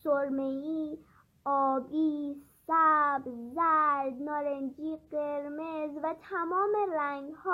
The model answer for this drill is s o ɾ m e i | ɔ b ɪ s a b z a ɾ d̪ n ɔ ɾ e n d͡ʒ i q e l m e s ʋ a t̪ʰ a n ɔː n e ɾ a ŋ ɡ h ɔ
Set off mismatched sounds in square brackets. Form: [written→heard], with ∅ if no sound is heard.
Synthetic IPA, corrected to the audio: s o ɾ m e i | ɔ b [ɪ→i] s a b z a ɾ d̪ n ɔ ɾ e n d͡ʒ i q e [l→ɾ] m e [s→z] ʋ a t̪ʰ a [n→m] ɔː [n→m] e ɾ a ŋ ɡ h ɔ